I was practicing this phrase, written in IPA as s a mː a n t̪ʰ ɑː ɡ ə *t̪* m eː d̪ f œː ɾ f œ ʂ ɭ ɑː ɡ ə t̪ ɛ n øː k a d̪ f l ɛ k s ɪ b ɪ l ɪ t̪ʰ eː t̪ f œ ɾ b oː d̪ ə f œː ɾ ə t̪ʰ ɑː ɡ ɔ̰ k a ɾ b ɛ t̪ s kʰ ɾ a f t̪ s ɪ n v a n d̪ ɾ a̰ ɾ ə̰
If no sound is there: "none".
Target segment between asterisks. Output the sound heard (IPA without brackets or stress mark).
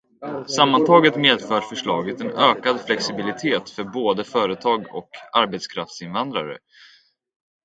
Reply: t̪